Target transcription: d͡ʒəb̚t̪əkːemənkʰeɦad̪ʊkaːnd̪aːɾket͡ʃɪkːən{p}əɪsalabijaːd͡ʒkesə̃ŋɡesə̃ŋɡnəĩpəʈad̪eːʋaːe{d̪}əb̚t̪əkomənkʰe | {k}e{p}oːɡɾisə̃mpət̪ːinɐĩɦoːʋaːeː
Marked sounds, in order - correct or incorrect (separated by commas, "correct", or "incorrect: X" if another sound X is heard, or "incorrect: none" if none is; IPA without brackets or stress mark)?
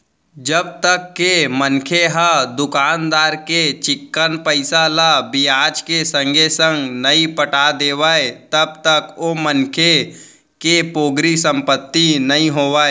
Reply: correct, incorrect: t̪, correct, correct